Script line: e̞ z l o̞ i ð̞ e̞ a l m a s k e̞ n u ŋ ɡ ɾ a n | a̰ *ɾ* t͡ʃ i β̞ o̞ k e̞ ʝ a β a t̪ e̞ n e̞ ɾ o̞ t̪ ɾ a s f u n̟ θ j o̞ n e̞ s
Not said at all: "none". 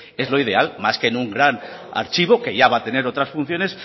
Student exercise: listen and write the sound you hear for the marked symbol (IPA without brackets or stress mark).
ɾ